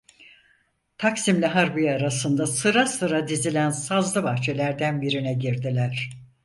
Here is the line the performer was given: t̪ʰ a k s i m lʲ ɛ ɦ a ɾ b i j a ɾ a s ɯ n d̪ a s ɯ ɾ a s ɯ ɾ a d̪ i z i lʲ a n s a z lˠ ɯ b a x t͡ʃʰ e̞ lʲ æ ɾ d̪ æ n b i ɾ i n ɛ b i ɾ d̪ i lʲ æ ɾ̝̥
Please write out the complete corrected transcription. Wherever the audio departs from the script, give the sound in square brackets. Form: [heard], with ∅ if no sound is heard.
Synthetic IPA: t̪ʰ a k s i m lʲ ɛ ɦ a ɾ b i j a ɾ a s ɯ n d̪ a s ɯ ɾ a s ɯ ɾ a d̪ i z i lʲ [æ] n s a z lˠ ɯ b a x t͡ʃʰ e̞ lʲ æ ɾ d̪ æ n b i ɾ i n ɛ [ɟ] i ɾ d̪ i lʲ æ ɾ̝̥